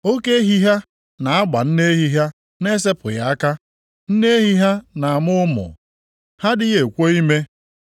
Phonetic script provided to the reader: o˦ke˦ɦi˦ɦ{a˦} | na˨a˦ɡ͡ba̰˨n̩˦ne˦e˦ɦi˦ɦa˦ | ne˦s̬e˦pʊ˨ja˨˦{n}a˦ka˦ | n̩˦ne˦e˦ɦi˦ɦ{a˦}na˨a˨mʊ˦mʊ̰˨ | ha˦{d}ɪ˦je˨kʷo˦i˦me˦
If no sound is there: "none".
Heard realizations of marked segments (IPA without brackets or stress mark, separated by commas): a˦, none, a˦, d